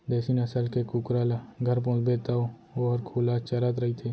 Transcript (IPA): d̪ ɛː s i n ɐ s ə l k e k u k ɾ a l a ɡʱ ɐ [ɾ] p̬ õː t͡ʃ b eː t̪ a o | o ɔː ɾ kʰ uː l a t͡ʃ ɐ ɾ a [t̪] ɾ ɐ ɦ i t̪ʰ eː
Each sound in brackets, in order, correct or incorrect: correct, correct

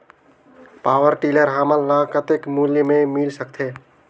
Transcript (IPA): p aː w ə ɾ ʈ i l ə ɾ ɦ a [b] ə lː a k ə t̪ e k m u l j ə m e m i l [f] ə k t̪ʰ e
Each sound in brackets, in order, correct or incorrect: incorrect, incorrect

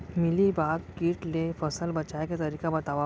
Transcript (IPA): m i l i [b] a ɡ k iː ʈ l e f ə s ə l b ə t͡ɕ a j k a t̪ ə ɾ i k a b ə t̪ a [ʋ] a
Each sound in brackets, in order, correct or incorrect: correct, correct

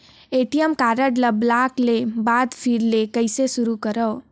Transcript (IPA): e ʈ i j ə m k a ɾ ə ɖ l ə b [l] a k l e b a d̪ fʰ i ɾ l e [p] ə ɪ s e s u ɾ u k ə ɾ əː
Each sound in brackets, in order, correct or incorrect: correct, incorrect

